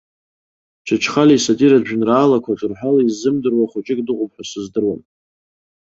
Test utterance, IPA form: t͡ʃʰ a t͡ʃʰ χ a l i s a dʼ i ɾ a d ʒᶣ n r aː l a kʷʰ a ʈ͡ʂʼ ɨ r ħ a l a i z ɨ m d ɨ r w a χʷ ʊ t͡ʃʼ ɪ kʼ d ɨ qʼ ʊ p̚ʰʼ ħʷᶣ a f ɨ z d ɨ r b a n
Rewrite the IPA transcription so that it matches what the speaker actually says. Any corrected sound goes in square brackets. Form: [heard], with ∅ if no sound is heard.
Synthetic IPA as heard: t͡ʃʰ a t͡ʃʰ χ a l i s a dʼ i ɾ a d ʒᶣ n r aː l a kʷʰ a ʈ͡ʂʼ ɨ r ħ a l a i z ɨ m d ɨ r w a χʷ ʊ t͡ʃʼ ɪ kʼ d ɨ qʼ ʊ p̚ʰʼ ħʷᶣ a [s] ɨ z d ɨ r [w] a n

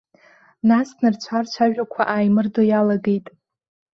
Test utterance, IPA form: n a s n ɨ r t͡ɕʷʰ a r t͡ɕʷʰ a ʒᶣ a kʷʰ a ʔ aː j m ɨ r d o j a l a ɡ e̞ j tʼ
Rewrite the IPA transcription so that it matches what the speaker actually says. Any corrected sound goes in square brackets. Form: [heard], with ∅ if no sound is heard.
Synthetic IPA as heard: n a s n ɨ r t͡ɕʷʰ a r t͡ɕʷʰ a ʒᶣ a kʷʰ a ʔ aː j m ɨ r d o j a l a ɡ e̞ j tʼ

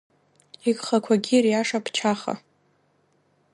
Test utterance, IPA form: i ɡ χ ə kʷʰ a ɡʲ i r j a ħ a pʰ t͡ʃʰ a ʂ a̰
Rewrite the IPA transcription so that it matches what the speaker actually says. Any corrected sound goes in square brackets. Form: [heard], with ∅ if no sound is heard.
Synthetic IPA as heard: i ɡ χ [a] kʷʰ a ɡʲ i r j a [ʂ] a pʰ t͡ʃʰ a [χ] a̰

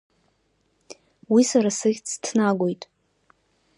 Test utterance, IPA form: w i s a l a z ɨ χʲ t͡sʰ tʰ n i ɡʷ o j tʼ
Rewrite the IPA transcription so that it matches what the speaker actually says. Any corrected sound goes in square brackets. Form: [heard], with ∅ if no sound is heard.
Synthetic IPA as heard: w i s a [ɾ] a [s] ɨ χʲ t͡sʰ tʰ n [a] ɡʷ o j tʼ

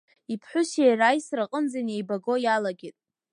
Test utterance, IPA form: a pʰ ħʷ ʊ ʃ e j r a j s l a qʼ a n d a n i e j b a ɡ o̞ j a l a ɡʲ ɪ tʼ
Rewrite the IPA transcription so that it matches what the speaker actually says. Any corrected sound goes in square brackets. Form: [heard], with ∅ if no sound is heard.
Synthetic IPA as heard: [i] pʰ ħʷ ʊ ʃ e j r a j s [r] a qʼ [ə] n [d͡z] a n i e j b a ɡ o̞ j a l a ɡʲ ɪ tʼ

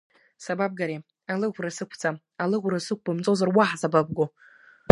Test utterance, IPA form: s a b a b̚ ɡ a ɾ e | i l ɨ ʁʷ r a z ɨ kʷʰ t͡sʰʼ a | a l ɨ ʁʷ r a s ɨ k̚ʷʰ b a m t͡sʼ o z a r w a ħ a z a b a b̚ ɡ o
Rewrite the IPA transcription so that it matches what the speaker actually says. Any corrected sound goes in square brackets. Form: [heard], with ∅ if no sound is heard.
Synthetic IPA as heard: s a b a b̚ ɡ a ɾ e | [a] l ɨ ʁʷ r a [s] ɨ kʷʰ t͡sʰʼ a | a l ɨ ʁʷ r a s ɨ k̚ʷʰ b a m t͡sʼ o z a r w a ħ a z a b a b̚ ɡ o

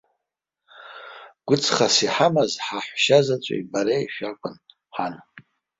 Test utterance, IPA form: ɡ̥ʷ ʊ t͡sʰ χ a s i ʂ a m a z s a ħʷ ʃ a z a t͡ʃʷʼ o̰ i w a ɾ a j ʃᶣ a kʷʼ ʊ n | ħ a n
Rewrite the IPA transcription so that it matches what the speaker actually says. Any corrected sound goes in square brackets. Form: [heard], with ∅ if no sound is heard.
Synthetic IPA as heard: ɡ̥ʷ ʊ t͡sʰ χ a s i [ħ] a m a z [ħ] a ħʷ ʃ a z a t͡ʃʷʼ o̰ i [b] a ɾ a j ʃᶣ a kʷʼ ʊ n | ħ a n

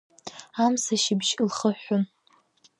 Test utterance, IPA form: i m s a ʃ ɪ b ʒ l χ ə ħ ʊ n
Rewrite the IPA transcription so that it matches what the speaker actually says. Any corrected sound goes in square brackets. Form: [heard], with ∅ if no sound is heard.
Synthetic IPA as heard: [a] m s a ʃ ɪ b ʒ l χ ə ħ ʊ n

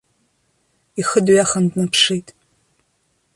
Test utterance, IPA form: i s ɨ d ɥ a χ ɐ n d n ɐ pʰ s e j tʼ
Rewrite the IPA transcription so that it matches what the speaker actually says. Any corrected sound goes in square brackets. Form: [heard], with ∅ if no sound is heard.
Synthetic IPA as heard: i [x] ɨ d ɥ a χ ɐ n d n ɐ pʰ [ʂ] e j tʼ

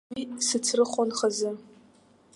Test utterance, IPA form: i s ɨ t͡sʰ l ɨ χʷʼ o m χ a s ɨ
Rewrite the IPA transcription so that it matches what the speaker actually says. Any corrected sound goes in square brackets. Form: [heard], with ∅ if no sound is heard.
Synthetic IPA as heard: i s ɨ t͡sʰ [r] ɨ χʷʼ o [n] χ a [z] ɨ

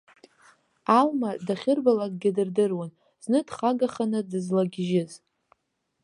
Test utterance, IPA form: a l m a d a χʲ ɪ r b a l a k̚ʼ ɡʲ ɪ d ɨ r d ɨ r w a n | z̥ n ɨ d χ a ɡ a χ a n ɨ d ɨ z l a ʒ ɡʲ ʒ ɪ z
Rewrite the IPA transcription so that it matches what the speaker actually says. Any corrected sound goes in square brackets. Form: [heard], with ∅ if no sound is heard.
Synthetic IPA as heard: a l m a d a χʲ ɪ r b a l a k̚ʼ ɡʲ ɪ d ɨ r d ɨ r w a n | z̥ n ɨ d χ a ɡ a χ a n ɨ d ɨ z l a [∅] ɡʲ ʒ ɪ z

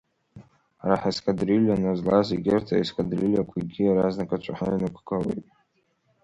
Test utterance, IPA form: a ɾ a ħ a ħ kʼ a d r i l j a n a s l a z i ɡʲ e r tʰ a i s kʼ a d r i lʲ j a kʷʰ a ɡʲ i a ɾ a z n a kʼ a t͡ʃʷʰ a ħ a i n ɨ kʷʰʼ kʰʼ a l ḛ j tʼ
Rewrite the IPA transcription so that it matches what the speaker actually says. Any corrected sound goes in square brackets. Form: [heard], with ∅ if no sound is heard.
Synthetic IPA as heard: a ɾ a ħ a [s] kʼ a d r i l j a n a [z] l a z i ɡʲ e r tʰ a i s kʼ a d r i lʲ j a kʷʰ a ɡʲ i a ɾ a z n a kʼ a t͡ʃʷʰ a ħ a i n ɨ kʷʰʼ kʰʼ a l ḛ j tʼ

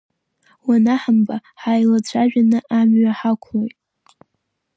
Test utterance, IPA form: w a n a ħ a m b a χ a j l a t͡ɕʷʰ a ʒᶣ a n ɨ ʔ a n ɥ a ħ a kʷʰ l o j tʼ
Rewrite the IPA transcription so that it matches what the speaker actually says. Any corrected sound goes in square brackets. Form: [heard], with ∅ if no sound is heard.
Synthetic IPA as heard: w a n a ħ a m b a [ħ] a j l a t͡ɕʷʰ a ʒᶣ a n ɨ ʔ a [m] ɥ a ħ a kʷʰ l o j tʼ

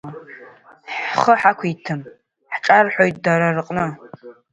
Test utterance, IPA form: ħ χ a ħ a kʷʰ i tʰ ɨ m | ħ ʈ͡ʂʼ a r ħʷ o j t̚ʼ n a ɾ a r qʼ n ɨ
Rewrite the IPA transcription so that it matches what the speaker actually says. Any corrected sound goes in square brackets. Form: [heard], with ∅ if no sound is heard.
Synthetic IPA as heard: ħ χ [ə] ħ a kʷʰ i tʰ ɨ m | ħ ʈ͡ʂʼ a r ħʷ o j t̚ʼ [d] a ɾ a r qʼ n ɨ

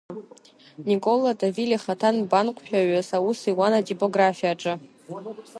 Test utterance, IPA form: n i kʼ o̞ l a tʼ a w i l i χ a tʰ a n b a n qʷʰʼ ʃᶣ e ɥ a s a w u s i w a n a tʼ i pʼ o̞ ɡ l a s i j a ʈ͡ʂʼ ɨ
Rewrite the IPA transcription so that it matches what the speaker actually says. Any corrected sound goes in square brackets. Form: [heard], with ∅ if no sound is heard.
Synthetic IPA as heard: n i kʼ o̞ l a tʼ a [v] i l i χ a tʰ a n b a n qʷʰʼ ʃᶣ [a] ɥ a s a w u s i w a n a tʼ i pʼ o̞ ɡ [r] a [f] i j a ʈ͡ʂʼ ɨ

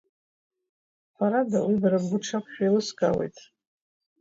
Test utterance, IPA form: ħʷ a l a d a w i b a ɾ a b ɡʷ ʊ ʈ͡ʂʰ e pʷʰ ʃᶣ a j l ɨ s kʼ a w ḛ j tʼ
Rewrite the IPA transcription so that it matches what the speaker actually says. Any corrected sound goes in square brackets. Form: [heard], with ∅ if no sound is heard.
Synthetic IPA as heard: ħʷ a [ɾ] a d a w i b a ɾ a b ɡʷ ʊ ʈ͡ʂʰ [a] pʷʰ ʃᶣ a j l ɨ s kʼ a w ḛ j tʼ

